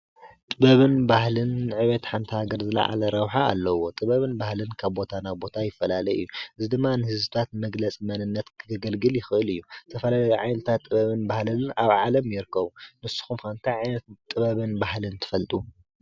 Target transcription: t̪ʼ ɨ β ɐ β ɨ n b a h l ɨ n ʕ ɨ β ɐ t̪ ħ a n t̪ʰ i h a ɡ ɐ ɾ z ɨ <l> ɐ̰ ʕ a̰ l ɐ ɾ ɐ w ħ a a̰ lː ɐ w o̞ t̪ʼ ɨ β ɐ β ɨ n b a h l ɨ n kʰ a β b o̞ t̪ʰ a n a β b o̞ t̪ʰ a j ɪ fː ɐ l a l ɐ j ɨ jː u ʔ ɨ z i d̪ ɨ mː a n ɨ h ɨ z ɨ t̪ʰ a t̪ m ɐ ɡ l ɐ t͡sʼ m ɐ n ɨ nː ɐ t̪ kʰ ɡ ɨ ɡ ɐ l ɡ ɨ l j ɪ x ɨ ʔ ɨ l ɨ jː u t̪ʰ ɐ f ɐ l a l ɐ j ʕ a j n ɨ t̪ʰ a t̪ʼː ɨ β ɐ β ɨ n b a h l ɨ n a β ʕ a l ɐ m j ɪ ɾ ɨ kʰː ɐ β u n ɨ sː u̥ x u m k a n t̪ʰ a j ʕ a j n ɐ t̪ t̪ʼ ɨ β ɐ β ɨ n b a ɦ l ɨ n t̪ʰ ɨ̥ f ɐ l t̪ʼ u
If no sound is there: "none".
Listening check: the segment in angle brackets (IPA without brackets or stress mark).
l